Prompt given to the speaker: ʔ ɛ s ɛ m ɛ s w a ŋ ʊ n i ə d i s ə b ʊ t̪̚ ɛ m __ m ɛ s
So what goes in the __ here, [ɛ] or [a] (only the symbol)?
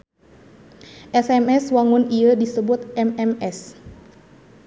ɛ